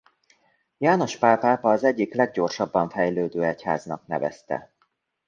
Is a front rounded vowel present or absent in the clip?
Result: present